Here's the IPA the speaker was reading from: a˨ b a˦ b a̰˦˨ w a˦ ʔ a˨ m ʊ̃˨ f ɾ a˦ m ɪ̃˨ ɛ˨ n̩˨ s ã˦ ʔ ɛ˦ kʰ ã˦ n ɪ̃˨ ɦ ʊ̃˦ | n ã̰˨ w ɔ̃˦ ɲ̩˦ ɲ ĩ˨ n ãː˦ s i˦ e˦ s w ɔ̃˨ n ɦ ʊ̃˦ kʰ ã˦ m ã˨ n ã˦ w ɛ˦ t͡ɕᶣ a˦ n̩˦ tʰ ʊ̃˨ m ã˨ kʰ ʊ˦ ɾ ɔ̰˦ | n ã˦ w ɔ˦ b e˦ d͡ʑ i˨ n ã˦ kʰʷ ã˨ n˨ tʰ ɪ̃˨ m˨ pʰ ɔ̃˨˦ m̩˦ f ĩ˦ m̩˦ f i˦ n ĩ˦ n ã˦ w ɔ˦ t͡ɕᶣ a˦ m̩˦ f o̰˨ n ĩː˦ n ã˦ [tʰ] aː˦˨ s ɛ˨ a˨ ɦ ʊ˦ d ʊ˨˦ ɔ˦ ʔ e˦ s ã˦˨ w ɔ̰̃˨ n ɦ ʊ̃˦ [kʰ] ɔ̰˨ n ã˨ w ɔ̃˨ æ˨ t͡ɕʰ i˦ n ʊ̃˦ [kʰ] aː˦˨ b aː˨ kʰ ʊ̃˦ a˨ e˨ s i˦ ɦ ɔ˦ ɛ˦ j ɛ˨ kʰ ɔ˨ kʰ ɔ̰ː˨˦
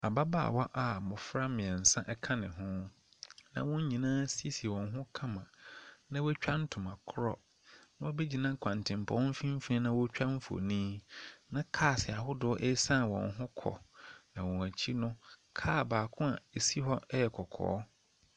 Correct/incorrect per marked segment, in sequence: incorrect, correct, correct

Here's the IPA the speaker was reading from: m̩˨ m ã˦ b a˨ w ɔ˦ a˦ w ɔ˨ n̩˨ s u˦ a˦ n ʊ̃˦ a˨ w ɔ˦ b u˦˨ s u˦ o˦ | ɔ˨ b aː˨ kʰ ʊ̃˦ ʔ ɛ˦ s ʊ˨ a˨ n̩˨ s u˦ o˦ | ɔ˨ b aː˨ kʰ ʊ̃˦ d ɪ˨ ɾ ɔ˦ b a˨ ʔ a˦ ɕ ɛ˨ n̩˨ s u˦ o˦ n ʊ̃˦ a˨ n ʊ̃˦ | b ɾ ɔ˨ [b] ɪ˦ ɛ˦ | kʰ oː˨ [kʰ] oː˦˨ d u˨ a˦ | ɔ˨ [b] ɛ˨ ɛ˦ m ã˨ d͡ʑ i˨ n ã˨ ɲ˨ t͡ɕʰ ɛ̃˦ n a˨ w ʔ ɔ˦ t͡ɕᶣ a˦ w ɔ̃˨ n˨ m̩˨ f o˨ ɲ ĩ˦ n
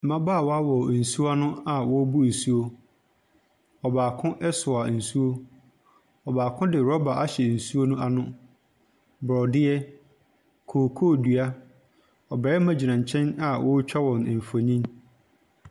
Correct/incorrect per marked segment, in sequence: incorrect, correct, correct

